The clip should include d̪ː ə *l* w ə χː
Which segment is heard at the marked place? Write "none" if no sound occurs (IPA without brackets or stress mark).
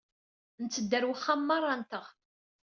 ɾ